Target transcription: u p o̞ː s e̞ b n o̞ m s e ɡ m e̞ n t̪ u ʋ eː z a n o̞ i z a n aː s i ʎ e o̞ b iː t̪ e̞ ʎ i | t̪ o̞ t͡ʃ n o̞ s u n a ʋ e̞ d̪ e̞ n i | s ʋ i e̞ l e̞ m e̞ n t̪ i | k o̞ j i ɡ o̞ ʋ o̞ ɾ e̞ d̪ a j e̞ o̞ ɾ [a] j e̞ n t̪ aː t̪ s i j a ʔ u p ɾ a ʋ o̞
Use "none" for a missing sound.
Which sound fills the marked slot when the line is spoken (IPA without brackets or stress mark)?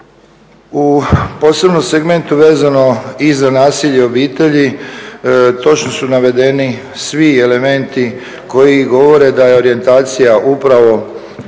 i